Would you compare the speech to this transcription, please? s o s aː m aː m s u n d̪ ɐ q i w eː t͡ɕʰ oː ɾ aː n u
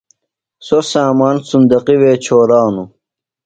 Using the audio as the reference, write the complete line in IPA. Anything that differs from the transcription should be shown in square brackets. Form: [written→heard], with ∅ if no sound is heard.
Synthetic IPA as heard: s o s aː m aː [m→n] s u n d̪ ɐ q i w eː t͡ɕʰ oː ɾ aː n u